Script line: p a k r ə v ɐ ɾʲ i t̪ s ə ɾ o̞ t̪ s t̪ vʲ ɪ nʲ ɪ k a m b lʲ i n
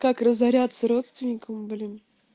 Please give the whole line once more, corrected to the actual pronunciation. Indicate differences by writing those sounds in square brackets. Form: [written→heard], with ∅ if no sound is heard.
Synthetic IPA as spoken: [p→k] a k r ə [v→z] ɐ ɾʲ [i→a] t̪ s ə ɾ o̞ t̪ s t̪ vʲ ɪ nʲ ɪ k [a→ə] m b lʲ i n